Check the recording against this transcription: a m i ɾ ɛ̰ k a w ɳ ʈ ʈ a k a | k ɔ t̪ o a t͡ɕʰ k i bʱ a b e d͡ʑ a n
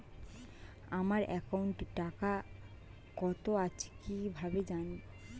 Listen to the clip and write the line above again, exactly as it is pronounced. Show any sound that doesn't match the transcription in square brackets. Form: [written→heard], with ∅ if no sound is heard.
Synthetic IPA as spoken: a m [i→a] ɾ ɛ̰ k a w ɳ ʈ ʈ a k a | k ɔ t̪ o a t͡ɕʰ k i bʱ a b e d͡ʑ a n